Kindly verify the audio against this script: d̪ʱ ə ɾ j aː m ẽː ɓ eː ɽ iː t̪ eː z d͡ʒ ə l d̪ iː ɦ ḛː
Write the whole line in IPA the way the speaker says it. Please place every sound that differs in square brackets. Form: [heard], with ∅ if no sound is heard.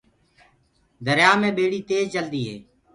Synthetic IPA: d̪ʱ ə ɾ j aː m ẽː ɓ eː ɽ iː t̪ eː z d͡ʒ ə l d̪ iː ɦ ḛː